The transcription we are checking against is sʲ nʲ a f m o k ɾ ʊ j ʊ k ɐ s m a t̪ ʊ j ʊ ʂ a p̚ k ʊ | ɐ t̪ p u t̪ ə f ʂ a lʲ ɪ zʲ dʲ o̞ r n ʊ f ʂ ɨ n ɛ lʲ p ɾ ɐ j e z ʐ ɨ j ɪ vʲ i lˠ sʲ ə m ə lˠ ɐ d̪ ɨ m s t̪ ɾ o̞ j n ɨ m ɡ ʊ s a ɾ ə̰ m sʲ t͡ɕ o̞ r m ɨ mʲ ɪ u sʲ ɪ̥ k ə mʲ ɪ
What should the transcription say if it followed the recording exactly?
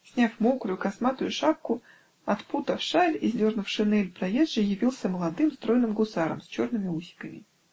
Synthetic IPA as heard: sʲ nʲ a f m o k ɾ ʊ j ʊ k ɐ s m a t̪ ʊ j ʊ ʂ a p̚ k ʊ | ɐ t̪ p u t̪ ə f ʂ a lʲ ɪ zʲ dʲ o̞ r n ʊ f ʂ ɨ n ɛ lʲ p ɾ ɐ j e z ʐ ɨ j ɪ vʲ i lˠ sʲ ə m ə lˠ ɐ d̪ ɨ m s t̪ ɾ o̞ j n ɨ m ɡ ʊ s a ɾ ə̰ m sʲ t͡ɕ o̞ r n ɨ mʲ ɪ u sʲ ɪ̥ k ə mʲ ɪ